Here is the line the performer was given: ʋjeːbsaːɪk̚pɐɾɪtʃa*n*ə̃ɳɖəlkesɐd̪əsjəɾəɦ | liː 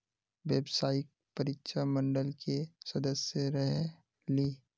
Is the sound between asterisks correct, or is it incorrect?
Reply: incorrect